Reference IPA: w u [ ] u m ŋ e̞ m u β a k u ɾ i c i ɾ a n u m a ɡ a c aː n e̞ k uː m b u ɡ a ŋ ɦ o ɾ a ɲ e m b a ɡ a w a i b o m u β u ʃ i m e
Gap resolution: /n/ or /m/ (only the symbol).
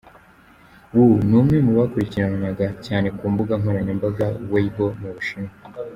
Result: n